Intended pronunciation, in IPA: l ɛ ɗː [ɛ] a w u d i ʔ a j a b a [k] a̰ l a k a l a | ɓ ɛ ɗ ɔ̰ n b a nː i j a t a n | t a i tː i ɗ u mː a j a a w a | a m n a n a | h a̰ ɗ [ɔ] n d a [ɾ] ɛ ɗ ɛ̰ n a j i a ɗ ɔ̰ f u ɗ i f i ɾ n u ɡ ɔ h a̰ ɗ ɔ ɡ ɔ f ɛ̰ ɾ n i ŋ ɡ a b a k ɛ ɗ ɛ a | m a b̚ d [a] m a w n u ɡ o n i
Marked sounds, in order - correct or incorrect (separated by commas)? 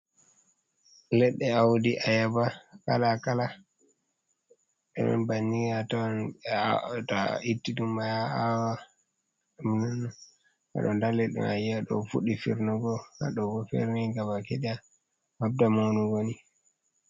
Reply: correct, correct, correct, incorrect, correct